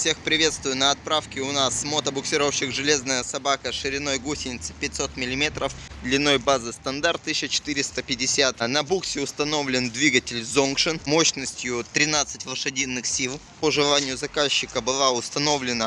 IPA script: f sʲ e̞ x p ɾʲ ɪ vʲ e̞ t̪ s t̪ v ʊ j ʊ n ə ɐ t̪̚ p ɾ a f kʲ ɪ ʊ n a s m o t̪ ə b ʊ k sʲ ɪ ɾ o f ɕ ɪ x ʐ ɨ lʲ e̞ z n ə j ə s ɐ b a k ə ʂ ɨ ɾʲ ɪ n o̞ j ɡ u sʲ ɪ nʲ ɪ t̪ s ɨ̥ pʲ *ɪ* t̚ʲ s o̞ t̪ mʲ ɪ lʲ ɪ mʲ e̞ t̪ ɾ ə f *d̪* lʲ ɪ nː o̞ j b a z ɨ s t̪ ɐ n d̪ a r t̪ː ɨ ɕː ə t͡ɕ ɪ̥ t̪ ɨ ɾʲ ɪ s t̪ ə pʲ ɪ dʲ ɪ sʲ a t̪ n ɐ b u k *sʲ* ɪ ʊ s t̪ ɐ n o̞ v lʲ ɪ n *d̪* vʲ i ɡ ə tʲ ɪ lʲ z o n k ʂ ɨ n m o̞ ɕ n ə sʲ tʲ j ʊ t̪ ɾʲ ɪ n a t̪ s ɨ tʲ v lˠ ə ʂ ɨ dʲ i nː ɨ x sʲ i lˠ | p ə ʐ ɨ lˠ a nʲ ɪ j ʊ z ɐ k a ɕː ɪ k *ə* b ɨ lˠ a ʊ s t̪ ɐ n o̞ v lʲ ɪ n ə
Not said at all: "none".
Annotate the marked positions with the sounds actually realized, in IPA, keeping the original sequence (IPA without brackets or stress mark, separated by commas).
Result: ɪ, d̪, sʲ, d̪, ə